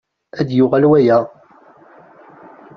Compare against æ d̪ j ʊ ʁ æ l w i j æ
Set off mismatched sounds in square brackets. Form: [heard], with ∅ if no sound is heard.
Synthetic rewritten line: æ d̪ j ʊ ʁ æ l w [æ] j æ